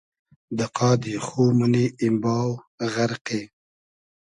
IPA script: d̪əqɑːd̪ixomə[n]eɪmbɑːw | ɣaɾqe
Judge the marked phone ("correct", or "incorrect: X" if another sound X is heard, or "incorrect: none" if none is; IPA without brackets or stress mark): correct